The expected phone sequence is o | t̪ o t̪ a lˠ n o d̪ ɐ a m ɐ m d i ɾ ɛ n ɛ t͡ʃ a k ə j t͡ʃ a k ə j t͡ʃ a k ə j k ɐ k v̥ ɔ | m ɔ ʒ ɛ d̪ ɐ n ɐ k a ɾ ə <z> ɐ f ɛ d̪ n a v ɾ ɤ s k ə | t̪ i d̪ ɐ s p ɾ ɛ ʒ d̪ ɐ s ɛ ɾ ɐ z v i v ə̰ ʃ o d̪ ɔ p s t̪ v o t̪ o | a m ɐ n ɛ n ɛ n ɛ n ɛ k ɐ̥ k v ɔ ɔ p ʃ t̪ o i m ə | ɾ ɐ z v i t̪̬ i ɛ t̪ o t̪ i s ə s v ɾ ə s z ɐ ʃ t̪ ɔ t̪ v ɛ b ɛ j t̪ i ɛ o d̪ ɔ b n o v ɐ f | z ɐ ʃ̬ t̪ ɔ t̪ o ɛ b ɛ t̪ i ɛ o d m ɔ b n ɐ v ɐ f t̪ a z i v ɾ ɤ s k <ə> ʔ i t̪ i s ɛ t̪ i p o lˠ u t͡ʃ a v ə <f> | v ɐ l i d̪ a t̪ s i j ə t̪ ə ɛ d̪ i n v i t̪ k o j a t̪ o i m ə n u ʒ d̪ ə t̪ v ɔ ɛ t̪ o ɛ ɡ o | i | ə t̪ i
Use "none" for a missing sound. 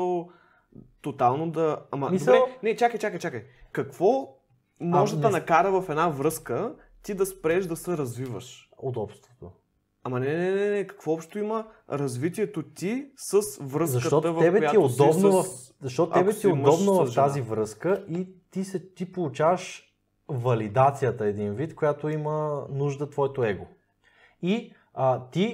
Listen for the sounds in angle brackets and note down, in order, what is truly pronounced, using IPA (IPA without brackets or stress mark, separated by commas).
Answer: v, ə, ʃ